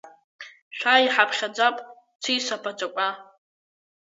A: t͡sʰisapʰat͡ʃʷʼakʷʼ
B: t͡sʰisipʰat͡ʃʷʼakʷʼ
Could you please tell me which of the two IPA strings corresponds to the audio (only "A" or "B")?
A